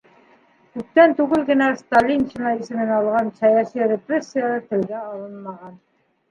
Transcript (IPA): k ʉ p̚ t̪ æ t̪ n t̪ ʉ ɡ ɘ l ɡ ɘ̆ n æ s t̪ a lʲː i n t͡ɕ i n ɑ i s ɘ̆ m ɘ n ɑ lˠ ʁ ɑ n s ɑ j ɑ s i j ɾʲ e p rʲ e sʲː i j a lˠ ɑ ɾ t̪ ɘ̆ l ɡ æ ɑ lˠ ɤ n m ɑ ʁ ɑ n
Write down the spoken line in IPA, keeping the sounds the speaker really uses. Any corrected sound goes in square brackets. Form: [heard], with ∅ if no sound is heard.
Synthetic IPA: k ʉ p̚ t̪ æ [∅] n t̪ ʉ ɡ ɘ l ɡ ɘ̆ n æ s t̪ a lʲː i n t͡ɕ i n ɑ i s ɘ̆ m ɘ n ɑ lˠ ʁ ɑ n s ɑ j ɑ s i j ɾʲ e p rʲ e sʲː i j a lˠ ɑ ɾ t̪ ɘ̆ l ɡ æ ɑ lˠ ɤ n m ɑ ʁ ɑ n